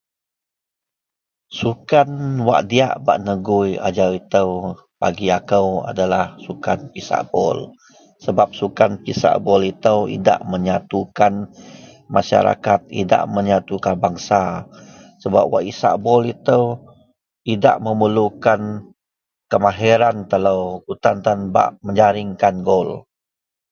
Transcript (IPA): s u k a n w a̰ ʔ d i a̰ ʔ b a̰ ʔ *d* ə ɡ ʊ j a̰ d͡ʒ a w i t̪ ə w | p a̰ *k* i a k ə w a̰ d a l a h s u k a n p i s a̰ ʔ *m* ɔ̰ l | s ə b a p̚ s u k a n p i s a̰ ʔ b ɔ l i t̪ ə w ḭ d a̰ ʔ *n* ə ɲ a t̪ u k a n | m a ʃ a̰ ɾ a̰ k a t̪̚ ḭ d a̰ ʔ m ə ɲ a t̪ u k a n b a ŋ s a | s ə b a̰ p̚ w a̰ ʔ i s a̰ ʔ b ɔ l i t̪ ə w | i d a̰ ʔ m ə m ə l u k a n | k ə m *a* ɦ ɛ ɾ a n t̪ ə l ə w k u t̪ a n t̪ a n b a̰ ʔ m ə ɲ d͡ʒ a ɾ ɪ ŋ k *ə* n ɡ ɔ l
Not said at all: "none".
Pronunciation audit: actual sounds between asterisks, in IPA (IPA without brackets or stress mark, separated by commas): n, ɡ, b, m, a, a